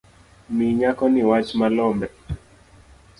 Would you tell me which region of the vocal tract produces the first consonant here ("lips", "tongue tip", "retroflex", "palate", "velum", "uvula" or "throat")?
lips